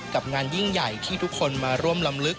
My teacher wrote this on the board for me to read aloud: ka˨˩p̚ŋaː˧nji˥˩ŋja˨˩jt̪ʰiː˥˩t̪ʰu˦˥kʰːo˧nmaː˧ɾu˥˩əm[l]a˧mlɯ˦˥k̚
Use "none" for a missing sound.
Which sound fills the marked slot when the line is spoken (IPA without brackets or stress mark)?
l